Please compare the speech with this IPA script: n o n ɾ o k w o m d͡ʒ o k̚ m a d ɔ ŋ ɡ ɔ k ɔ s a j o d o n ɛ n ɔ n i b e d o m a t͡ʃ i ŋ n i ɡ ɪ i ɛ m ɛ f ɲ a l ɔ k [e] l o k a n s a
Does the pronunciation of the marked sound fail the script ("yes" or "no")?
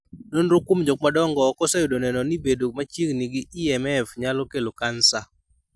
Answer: no